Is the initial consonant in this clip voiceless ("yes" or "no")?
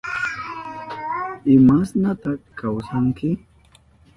no